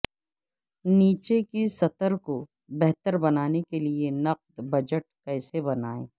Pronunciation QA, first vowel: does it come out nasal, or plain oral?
oral